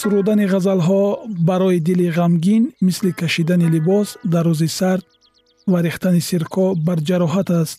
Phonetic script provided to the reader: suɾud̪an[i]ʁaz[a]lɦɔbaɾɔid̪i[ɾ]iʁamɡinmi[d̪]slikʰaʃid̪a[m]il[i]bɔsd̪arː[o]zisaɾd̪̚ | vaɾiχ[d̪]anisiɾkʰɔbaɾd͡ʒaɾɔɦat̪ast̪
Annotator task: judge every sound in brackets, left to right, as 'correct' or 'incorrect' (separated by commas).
correct, correct, incorrect, incorrect, incorrect, correct, incorrect, incorrect